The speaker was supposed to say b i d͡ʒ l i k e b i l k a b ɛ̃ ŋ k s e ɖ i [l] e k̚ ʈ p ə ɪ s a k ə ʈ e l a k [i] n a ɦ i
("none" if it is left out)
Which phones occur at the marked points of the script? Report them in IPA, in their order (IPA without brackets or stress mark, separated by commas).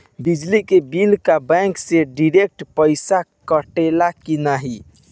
ɾ, i